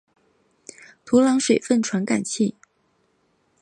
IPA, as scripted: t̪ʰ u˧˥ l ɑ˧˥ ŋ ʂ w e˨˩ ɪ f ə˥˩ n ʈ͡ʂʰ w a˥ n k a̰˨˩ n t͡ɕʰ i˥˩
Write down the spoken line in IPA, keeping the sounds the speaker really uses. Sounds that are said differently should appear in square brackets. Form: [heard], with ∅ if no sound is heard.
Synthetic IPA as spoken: t̪ʰ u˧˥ l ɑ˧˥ ŋ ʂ w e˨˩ ɪ f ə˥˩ n ʈ͡ʂʰ w [a˧˥] n k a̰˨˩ n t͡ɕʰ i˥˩